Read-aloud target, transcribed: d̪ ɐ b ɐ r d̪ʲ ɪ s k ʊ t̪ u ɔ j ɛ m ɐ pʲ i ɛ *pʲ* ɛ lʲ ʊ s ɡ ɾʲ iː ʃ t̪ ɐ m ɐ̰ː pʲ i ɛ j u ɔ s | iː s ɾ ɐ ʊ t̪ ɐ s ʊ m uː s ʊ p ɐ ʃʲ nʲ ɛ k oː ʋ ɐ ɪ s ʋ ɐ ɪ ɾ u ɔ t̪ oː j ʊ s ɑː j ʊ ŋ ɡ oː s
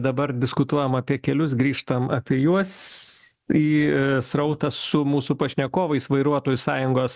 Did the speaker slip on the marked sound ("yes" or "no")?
yes